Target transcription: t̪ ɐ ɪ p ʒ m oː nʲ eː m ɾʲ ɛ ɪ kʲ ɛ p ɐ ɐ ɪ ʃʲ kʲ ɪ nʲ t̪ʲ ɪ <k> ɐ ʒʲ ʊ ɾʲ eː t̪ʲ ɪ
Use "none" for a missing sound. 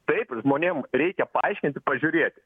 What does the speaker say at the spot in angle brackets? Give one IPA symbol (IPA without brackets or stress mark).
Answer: p